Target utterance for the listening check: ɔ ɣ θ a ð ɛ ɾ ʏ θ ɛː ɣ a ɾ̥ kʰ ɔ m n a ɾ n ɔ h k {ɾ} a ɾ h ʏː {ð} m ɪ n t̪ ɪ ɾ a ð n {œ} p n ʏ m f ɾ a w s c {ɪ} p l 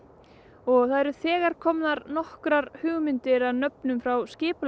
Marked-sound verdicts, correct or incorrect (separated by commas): correct, incorrect, correct, incorrect